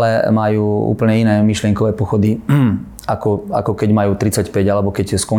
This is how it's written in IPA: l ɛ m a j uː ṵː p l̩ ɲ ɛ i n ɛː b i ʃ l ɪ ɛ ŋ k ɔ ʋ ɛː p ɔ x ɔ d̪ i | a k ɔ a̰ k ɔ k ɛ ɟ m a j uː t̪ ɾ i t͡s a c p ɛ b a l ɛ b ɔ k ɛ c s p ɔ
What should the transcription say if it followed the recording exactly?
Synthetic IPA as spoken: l ɛ m a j uː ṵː p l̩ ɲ ɛ i n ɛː m i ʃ l ɪ ɛ ŋ k ɔ ʋ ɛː p ɔ x ɔ d̪ i | a k ɔ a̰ k ɔ k ɛ ɟ m a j uː t̪ ɾ i t͡s a c p ɛ ɟ a l ɛ b ɔ k ɛ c s k ɔ